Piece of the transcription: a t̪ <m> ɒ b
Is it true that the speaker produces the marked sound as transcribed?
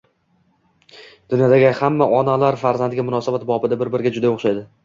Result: no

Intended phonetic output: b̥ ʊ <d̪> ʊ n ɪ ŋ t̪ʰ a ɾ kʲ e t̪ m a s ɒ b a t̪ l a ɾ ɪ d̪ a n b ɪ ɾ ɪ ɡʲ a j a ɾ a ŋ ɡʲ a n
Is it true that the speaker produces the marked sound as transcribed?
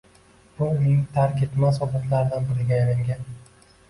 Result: no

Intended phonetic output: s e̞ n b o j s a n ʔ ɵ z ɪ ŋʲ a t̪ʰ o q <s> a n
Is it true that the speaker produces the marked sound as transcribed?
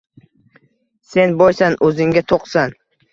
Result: yes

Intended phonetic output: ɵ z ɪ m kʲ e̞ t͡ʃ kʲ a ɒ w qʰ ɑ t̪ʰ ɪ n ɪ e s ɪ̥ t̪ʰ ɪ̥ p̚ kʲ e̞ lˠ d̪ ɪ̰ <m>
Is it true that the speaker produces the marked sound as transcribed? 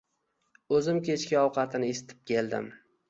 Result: yes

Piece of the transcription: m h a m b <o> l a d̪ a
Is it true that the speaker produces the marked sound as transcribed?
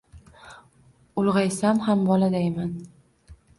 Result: no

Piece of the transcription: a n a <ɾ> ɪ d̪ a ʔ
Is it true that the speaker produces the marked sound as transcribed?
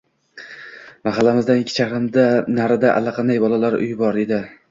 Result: yes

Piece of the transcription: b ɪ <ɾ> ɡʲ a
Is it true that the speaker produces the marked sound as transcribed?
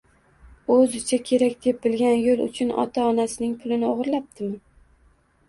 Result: no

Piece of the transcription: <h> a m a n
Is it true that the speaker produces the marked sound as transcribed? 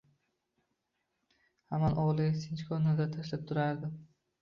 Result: yes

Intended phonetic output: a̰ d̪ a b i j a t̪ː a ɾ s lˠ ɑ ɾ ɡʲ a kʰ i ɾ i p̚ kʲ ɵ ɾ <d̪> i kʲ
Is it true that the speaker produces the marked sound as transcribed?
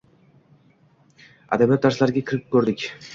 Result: yes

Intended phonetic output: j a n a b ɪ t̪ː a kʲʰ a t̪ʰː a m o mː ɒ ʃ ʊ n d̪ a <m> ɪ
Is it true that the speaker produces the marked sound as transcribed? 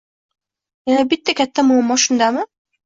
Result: yes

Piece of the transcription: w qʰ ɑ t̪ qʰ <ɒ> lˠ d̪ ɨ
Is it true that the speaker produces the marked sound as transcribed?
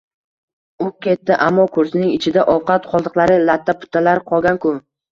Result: yes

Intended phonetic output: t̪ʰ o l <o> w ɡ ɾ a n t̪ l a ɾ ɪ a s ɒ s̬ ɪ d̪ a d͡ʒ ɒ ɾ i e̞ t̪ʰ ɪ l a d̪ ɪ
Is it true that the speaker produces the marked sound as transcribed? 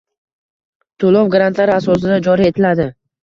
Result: no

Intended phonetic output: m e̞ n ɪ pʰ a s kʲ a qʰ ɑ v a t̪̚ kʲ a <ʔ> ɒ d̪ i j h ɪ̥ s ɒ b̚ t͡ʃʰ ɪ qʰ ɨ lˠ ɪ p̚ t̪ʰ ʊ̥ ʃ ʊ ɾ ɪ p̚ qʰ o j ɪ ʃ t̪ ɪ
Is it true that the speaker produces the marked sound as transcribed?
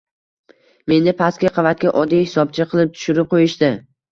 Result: yes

